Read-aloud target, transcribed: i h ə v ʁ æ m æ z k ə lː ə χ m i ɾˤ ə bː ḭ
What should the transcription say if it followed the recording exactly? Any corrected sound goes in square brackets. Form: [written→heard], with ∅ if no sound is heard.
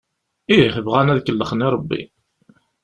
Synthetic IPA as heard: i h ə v ʁ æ [m→n] æ [z→ð] k ə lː ə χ [m→n] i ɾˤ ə bː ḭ